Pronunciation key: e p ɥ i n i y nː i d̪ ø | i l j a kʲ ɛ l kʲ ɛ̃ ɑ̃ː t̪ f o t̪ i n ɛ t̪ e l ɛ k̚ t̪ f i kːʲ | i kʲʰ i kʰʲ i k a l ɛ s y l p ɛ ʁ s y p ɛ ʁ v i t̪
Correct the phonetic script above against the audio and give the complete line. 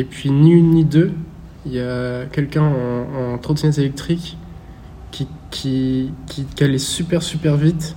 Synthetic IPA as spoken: e p ɥ i n i y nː i d̪ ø | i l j a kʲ ɛ l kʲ ɛ̃ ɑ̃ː t̪ χ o t̪ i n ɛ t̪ e l ɛ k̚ t̪ χ i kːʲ | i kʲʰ i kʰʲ i k a l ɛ s y p ɛ ʁ s y p ɛ ʁ v i t̪